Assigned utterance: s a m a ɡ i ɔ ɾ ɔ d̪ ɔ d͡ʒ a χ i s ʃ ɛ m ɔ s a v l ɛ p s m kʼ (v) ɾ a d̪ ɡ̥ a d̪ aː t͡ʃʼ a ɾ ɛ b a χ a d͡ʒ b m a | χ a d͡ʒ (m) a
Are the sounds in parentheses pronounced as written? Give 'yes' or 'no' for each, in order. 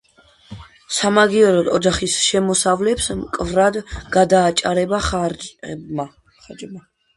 yes, yes

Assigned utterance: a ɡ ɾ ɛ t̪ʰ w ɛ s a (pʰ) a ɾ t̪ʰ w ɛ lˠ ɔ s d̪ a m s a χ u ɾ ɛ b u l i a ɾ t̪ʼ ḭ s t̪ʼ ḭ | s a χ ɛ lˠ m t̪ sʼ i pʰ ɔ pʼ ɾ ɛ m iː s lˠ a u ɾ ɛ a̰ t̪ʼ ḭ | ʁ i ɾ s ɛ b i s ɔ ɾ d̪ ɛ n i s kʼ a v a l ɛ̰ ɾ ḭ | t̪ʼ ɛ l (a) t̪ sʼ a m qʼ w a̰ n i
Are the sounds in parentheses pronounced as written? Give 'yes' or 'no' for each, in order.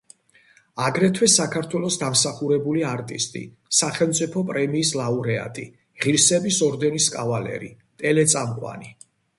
no, no

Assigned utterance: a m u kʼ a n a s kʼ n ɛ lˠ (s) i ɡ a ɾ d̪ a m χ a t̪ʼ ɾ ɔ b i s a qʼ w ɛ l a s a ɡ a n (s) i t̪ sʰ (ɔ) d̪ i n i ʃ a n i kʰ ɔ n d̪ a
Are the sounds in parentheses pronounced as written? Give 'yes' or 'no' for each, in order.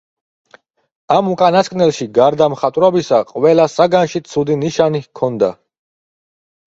no, no, no

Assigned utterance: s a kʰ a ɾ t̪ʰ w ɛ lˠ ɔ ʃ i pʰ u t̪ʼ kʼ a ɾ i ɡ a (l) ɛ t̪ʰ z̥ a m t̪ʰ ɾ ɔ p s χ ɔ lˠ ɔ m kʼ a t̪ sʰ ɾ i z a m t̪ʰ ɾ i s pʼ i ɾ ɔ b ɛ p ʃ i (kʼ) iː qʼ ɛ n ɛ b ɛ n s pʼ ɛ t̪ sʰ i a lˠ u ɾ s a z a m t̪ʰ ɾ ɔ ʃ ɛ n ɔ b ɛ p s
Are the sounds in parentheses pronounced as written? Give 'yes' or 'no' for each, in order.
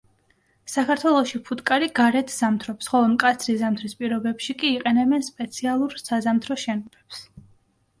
no, yes

